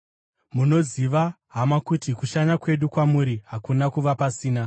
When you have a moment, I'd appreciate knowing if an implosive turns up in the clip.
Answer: yes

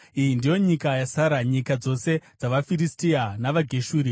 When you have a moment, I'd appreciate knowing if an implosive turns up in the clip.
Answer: no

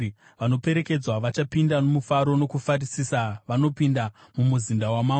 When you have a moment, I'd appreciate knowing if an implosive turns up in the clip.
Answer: no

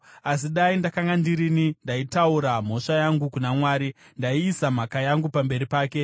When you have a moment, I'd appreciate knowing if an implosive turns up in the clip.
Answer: yes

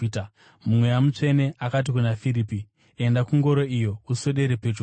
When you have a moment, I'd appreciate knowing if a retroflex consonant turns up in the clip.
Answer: yes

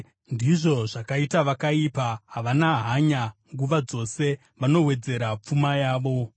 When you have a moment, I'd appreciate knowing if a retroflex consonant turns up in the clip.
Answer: yes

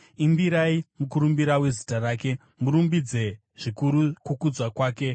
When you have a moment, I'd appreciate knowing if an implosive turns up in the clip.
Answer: no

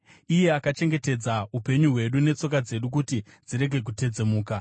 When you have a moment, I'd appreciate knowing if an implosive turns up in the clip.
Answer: yes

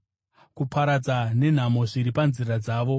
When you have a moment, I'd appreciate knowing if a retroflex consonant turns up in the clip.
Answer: yes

